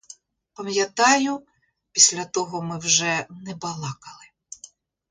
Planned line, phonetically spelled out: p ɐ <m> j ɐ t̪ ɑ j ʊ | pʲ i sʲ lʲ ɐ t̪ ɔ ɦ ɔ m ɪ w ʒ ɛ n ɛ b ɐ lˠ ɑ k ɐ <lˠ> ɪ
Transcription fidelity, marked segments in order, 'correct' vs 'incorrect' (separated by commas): correct, correct